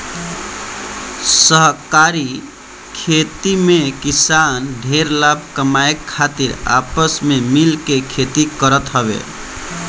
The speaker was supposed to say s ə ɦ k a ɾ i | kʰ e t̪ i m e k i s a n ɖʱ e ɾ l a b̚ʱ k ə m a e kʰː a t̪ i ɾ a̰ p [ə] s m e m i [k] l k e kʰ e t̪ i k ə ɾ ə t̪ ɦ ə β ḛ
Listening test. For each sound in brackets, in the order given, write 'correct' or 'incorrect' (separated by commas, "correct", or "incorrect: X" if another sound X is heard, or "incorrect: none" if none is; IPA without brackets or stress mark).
correct, incorrect: none